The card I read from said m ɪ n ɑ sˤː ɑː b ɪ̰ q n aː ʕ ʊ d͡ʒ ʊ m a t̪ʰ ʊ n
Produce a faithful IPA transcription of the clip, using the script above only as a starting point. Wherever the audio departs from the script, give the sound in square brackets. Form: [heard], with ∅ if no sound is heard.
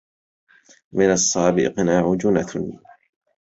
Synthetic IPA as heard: m ɪ n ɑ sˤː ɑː b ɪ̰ q n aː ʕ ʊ d͡ʒ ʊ [n] a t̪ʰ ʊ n